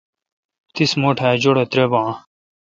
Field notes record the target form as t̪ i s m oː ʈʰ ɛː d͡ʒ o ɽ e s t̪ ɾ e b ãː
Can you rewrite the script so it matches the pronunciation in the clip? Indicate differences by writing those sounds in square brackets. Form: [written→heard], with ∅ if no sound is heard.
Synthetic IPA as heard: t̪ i s m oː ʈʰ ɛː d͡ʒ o ɽ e [s→∅] t̪ ɾ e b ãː